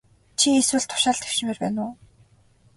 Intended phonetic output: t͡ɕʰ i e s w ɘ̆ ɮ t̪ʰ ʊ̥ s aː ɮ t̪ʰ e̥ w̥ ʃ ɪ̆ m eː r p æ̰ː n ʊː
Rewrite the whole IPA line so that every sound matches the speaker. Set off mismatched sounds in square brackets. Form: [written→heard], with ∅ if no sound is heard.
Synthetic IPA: t͡ɕʰ i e s w ɘ̆ ɮ t̪ʰ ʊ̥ [s→ʃ] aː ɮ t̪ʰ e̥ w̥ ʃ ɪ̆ m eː r p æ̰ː n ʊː